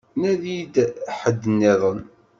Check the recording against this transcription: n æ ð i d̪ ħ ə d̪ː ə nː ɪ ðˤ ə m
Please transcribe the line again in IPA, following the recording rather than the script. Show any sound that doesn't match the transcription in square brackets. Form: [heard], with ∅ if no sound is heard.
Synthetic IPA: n æ ð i d̪ ħ ə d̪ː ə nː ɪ ðˤ ə [n]